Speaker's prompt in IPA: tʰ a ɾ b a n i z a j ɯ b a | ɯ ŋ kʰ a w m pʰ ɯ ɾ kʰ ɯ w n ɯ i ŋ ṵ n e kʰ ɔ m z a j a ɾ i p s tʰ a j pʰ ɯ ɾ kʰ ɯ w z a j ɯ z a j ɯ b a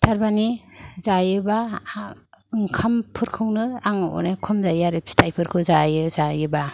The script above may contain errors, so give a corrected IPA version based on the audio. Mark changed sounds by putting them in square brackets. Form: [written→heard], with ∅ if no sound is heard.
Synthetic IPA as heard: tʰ a ɾ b a n i z a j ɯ b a | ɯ ŋ kʰ a [w→∅] m pʰ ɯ ɾ kʰ ɯ w n ɯ [i→a] ŋ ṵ n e kʰ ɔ m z a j a ɾ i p s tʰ a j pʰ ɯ ɾ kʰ ɯ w z a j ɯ z a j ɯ b a